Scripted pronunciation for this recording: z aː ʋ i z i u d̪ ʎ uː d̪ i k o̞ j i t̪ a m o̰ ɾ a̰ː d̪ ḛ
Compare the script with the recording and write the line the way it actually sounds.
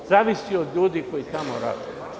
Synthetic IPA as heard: z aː ʋ i s i o d̪ ʎ uː d̪ i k o̞ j i t̪ a m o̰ ɾ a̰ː d̪ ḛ